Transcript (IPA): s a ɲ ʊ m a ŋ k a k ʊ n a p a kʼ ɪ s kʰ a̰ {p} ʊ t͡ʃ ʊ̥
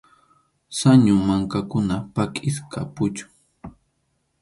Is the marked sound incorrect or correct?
correct